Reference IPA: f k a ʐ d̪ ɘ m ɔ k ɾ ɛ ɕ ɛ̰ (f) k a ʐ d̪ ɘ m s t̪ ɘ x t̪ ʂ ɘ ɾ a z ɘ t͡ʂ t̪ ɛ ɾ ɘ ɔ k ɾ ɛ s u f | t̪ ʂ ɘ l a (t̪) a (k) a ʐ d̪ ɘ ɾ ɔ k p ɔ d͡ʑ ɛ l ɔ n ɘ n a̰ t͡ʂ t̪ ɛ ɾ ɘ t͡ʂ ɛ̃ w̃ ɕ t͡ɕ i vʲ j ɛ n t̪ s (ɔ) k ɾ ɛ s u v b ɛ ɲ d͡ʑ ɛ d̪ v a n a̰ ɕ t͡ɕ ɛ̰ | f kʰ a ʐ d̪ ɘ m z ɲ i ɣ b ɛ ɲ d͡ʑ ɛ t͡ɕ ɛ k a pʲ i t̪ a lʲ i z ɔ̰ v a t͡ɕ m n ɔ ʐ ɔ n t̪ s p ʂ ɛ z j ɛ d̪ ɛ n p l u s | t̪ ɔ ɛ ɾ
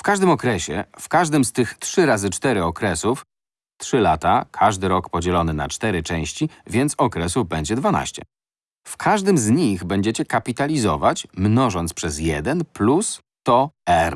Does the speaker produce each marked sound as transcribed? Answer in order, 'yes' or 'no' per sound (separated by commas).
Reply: yes, yes, no, yes